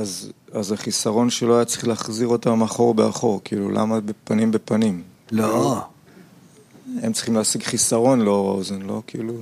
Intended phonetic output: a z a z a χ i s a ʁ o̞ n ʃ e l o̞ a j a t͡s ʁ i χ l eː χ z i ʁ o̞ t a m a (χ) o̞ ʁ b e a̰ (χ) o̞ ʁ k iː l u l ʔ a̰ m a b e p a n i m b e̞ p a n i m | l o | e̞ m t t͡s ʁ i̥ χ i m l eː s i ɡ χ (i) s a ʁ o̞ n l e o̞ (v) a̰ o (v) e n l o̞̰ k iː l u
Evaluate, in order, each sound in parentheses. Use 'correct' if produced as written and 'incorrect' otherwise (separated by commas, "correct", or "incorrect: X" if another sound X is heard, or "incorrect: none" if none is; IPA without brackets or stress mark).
correct, correct, correct, incorrect: ʁ, incorrect: z